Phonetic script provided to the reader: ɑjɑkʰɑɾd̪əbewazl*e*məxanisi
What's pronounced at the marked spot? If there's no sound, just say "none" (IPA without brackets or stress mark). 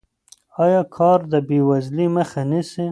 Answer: i